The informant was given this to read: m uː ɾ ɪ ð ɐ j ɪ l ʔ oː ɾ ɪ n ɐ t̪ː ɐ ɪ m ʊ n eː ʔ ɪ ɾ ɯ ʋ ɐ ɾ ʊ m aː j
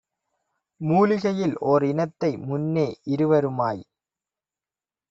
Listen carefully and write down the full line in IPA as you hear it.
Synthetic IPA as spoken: m uː l ɪ ɣ ɐ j ɪ l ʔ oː ɾ ɪ n ɐ t̪ː ɐ ɪ m ʊ nː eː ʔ ɪ ɾ ɯ ʋ ɐ ɾ ɯ m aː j